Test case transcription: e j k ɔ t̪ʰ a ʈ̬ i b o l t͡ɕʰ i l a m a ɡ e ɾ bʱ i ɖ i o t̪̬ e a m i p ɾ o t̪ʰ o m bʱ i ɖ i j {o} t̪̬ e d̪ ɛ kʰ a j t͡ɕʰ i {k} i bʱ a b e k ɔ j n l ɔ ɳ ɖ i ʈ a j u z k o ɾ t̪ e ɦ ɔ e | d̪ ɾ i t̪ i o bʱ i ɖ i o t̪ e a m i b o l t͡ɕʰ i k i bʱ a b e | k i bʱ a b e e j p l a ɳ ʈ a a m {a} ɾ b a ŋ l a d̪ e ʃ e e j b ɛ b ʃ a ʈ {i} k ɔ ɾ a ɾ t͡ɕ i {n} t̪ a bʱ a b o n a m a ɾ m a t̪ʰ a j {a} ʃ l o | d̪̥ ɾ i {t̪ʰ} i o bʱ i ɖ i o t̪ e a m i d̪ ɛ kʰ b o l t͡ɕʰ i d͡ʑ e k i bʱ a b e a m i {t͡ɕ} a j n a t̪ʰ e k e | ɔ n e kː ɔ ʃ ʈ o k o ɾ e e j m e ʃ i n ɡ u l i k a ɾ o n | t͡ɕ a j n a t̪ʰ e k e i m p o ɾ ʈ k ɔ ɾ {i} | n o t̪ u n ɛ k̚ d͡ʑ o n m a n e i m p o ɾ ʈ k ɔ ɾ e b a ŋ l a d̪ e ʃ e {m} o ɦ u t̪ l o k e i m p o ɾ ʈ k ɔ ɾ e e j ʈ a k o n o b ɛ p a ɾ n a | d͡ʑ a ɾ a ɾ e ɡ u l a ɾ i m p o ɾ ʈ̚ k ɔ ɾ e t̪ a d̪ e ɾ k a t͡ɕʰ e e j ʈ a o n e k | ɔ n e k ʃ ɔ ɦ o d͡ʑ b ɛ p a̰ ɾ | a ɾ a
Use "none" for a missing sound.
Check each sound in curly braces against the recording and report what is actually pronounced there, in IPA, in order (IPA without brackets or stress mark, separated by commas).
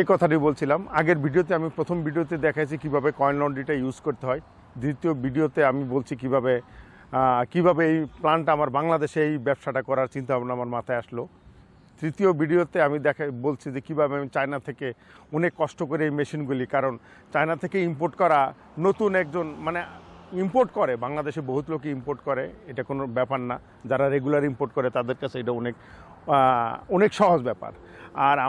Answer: o, k, a, a, n, a, t̪, t͡ɕ, a, b